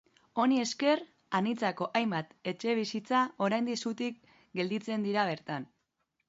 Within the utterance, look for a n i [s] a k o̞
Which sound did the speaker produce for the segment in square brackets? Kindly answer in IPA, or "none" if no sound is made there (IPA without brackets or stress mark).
t͡s